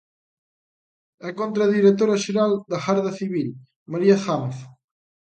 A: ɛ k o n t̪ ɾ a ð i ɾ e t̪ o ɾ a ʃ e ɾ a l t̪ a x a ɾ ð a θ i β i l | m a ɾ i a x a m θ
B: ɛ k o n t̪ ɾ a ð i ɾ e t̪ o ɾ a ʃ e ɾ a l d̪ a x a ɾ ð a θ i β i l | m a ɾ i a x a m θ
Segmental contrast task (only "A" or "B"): B